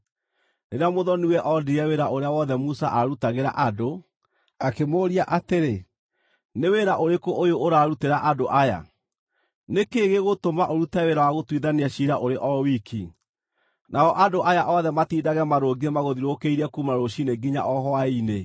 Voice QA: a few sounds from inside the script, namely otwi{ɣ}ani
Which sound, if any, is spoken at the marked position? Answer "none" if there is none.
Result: ð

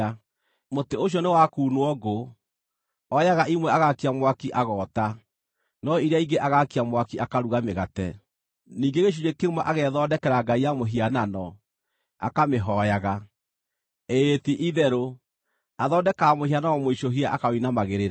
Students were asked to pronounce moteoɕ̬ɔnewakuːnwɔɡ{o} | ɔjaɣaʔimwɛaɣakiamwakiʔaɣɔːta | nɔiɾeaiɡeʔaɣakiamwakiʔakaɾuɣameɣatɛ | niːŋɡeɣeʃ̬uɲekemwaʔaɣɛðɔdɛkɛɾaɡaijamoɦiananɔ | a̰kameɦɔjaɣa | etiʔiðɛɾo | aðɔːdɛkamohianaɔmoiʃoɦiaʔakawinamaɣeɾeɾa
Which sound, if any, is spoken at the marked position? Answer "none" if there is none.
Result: o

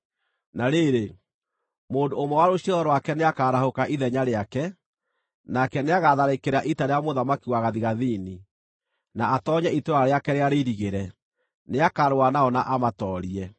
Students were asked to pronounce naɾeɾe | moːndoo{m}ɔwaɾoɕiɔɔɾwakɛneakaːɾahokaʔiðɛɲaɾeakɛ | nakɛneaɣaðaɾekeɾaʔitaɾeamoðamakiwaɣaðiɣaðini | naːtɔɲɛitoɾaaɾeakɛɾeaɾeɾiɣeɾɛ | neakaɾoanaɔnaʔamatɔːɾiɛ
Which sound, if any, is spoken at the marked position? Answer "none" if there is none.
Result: m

